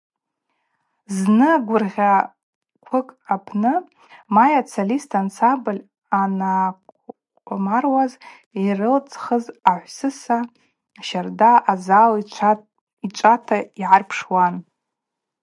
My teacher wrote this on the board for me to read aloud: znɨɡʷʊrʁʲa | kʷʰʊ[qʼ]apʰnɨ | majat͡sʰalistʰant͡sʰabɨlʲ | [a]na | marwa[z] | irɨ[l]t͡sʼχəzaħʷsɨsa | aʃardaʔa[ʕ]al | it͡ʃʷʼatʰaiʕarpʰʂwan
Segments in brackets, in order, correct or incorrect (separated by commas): incorrect, correct, correct, correct, incorrect